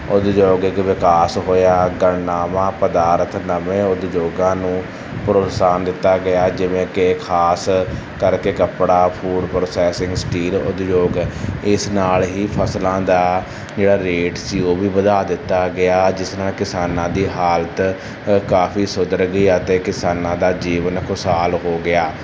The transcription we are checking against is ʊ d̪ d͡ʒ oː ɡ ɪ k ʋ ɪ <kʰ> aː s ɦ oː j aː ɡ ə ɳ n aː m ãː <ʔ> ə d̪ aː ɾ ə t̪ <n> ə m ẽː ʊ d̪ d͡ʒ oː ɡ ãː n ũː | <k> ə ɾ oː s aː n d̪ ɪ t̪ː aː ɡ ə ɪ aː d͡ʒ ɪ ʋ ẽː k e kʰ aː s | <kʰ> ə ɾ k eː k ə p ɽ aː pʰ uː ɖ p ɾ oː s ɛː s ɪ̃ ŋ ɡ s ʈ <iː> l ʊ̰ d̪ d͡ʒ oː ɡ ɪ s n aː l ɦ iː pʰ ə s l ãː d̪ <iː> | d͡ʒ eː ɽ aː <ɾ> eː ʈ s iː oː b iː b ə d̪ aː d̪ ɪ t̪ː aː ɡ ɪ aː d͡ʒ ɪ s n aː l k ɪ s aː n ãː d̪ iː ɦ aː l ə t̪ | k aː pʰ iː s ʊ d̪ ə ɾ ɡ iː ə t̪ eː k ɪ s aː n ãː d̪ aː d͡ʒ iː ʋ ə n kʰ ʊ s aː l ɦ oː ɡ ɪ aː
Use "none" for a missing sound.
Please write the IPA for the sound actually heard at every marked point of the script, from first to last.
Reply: k, p, n, p, k, iː, aː, ɾ

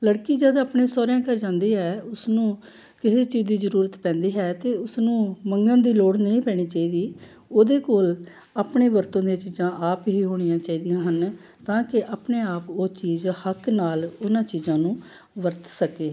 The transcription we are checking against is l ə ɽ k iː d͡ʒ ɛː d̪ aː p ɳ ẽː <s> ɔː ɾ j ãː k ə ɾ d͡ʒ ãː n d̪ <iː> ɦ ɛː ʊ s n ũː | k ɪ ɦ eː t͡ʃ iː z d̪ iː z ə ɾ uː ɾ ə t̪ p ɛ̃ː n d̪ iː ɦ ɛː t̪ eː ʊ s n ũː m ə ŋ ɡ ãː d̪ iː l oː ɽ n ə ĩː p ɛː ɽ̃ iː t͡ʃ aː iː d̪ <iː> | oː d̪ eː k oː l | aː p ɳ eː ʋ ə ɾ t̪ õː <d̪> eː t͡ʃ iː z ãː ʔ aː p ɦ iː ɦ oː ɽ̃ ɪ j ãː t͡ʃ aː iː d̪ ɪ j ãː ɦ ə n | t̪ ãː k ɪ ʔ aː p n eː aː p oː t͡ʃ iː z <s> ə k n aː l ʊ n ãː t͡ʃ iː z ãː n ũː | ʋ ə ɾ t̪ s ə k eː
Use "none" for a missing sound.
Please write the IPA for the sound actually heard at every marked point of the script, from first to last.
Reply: s, iː, iː, d̪, h

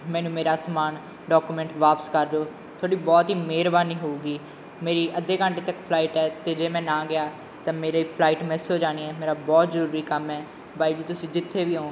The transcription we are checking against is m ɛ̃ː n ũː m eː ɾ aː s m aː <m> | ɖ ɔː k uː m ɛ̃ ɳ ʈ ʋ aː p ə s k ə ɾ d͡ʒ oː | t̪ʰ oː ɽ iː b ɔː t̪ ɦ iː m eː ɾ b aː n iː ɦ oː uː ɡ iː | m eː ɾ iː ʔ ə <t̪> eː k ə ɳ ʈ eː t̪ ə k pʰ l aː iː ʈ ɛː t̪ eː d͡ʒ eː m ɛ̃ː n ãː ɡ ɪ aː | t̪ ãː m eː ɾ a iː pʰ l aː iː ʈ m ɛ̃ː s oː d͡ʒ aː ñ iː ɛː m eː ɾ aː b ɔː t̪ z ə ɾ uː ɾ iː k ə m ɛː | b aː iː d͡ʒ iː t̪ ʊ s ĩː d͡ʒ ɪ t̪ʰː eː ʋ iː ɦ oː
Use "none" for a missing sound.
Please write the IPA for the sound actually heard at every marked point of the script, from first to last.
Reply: n, d̪

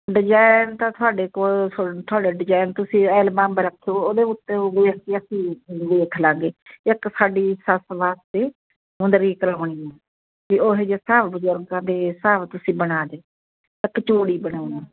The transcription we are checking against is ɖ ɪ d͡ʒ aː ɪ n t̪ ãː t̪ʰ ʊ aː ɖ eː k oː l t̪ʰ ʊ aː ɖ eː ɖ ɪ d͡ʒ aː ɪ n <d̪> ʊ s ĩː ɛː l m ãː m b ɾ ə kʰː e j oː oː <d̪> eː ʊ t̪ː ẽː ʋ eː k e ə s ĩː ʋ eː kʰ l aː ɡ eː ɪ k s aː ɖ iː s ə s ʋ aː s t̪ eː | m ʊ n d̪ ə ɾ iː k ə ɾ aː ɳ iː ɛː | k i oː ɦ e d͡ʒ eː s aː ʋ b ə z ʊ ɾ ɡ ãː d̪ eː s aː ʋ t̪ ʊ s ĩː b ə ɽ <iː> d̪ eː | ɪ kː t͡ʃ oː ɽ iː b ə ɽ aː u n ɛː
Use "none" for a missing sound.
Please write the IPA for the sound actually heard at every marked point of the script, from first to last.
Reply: t̪, d̪, aː

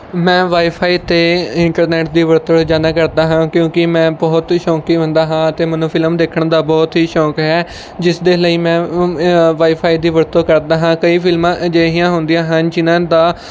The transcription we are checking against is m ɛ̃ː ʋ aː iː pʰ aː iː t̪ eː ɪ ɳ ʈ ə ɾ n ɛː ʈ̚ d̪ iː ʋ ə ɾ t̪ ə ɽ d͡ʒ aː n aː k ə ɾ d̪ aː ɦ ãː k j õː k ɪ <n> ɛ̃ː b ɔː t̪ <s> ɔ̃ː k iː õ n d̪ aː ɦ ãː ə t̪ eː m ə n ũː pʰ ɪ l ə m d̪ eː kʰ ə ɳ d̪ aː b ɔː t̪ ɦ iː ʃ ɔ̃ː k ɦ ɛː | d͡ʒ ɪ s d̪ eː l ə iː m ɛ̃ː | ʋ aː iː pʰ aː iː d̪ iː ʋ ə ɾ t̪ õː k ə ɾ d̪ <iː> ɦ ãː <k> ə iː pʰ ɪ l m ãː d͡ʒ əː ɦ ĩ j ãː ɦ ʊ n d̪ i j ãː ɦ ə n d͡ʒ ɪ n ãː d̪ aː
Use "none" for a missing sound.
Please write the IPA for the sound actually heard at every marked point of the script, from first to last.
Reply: m, ʃ, aː, k

